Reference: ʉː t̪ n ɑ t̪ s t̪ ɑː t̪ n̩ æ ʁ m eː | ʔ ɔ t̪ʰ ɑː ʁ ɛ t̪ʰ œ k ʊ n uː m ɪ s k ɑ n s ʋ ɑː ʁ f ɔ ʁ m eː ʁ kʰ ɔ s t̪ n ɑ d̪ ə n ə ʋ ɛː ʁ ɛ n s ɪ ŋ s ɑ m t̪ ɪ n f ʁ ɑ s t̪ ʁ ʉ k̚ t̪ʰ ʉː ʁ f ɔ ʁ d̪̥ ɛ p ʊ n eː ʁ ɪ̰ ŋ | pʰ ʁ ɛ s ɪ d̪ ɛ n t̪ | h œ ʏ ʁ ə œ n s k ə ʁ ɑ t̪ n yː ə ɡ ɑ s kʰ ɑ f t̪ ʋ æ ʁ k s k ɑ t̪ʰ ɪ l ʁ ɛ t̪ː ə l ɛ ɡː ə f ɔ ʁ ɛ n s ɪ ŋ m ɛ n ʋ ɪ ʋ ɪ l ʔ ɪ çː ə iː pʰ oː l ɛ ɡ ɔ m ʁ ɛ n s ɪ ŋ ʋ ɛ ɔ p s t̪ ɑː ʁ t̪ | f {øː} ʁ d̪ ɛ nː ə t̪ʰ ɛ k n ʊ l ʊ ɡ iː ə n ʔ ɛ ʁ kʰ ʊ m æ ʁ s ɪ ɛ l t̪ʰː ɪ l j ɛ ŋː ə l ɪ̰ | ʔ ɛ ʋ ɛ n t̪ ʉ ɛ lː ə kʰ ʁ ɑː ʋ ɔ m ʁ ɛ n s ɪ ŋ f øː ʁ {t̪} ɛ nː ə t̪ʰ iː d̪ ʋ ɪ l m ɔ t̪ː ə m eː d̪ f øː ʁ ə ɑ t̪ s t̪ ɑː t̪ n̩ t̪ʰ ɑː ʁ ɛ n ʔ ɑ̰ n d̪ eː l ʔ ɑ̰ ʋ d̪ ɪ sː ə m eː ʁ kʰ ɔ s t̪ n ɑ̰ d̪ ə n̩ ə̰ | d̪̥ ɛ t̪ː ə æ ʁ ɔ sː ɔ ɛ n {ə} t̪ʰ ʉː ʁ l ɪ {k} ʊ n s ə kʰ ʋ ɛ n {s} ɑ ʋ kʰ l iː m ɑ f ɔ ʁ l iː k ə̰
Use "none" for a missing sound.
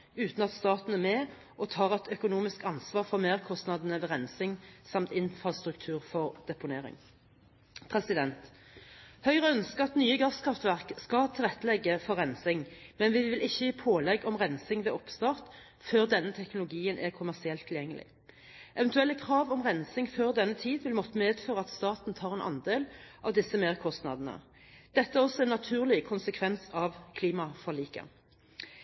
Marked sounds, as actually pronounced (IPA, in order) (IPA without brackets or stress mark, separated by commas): øː, d̪, ɑ, kʰ, s